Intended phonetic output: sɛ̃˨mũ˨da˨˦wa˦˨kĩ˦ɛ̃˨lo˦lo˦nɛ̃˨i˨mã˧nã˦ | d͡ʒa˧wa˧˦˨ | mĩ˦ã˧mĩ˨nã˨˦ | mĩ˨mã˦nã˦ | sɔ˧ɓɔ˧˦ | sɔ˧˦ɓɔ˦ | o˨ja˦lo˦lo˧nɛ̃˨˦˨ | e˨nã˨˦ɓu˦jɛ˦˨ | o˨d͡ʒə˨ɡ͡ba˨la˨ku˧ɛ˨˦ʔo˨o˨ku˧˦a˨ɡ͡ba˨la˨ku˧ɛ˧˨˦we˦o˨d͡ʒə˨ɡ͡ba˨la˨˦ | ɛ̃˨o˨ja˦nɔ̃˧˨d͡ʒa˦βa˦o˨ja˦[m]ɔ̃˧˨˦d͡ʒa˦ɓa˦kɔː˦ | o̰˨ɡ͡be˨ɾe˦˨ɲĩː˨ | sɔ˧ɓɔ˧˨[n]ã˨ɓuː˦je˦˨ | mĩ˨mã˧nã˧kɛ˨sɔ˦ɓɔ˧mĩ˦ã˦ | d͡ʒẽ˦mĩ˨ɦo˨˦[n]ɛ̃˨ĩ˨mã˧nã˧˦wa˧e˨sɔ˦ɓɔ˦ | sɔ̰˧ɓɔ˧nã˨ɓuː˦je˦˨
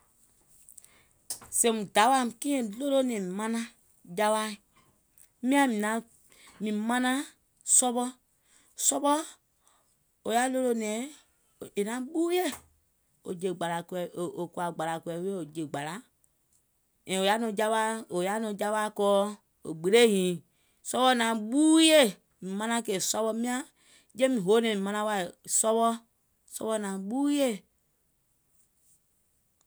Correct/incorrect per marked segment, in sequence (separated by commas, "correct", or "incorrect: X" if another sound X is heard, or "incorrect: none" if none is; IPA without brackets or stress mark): incorrect: n, correct, correct